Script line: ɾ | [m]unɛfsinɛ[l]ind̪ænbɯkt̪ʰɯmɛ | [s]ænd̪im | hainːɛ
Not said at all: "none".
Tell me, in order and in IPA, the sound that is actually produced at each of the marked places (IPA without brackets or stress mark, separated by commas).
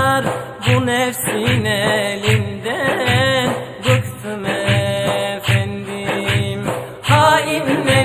b, l, f